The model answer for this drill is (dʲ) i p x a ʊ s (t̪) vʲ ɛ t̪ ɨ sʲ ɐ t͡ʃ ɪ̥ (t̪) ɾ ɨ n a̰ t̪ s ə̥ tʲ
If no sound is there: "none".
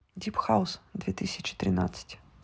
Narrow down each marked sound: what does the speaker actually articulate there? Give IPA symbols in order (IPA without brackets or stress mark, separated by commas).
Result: dʲ, d̪, t̪